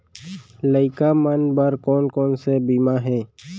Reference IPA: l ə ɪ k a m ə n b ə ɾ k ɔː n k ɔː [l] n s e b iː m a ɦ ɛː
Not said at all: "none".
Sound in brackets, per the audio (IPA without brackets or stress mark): none